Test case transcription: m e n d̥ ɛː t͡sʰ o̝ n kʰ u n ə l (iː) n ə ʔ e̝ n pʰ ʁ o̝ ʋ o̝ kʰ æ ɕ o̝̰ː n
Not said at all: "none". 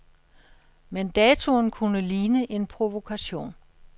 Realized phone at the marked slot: iː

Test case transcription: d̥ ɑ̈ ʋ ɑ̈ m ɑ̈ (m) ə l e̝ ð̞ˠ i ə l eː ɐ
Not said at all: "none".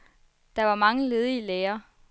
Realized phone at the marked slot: ŋ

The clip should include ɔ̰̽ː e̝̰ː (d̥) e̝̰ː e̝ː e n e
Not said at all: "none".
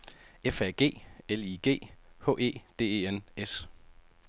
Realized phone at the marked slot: d̥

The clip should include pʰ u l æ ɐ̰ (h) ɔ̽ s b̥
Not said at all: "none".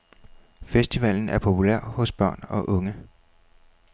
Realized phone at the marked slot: h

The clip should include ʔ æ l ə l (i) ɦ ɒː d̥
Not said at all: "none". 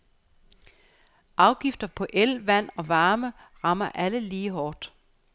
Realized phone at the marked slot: iː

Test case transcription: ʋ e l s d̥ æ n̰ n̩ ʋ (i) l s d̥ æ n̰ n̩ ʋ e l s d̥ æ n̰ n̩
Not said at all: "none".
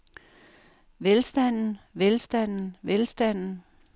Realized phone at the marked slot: e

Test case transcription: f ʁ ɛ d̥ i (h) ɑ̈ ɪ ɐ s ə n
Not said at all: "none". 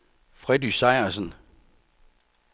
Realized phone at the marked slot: s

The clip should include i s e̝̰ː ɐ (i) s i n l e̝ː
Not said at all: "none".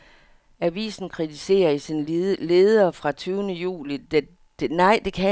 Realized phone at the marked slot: i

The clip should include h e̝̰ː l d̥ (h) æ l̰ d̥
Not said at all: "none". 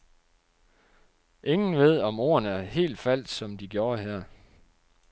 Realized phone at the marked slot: f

